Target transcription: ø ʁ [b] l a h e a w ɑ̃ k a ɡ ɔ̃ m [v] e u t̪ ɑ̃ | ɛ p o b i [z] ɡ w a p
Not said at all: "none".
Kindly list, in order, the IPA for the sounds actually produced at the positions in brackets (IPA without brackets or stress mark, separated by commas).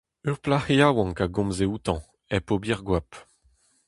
p, z, ʁ